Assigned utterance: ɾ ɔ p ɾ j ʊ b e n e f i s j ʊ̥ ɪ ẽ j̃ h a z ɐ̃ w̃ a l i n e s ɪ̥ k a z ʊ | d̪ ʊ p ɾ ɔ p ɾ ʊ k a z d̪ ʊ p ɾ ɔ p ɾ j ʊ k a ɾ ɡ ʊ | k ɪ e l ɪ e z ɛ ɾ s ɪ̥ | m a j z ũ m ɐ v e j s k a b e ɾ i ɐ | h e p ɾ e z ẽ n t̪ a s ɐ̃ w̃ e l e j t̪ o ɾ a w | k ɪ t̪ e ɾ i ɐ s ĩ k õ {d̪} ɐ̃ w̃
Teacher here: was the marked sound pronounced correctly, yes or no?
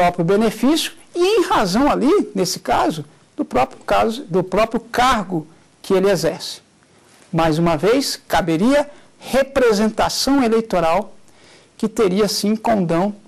yes